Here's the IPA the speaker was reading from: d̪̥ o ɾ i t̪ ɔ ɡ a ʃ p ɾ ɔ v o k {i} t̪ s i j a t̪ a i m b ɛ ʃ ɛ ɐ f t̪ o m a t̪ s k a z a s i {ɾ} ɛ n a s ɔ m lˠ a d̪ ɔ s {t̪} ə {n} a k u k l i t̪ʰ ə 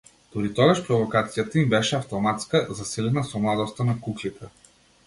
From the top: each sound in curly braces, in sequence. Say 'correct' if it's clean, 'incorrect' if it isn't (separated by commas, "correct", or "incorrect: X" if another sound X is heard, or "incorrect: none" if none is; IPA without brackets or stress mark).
incorrect: a, incorrect: l, correct, correct